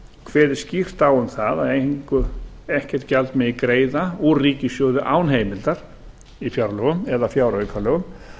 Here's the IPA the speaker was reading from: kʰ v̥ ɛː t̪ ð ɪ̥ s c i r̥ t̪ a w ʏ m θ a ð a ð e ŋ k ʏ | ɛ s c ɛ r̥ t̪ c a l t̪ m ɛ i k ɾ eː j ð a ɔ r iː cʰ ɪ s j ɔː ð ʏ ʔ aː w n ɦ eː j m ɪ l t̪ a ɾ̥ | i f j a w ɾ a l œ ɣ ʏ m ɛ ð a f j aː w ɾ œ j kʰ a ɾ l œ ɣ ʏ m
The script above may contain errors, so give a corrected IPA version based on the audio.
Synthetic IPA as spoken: kʰ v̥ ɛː ð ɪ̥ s c i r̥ t̪ a w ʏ m θ a ð a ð e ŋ k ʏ | ɛ h c ɛ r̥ t̪ c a l t̪ m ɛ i k ɾ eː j ð a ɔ r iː c ɪ s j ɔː ð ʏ ʔ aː w n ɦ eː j m ɪ l t̪ a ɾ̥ | i f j a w ɾ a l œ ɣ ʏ m ɛ ð a f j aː w ɾ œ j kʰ a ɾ l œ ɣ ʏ m